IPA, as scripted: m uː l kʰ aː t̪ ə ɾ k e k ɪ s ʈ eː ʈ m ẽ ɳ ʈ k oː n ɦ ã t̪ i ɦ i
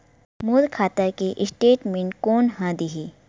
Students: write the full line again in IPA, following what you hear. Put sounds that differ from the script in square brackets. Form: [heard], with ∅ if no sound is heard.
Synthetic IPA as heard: m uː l kʰ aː t̪ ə ɾ k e [ʔ] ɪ s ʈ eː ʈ m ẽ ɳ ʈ k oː n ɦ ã [d̪] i ɦ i